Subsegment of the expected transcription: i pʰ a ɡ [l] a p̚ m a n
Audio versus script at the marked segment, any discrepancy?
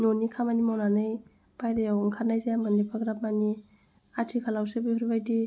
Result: yes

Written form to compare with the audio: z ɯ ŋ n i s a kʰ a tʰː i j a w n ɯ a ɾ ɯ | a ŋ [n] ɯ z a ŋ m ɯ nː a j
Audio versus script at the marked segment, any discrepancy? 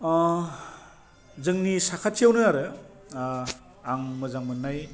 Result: yes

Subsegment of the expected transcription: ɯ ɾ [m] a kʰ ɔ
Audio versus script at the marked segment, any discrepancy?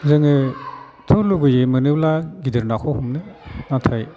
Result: yes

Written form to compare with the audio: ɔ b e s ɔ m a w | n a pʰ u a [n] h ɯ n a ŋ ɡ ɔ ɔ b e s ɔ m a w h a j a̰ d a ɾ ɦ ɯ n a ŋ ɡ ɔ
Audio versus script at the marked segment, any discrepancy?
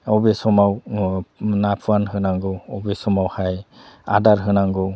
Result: no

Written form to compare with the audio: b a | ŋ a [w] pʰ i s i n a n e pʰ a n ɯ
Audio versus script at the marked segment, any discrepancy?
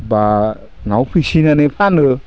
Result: no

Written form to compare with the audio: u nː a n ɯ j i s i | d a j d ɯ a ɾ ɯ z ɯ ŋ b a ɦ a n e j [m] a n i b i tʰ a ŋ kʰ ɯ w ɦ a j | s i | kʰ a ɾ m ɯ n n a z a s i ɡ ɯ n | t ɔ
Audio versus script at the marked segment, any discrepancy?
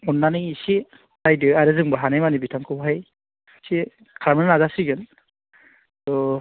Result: no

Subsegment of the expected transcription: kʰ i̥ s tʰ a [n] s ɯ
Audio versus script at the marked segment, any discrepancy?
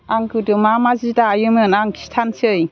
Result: no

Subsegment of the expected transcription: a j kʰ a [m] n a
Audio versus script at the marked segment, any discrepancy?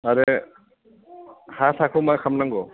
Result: no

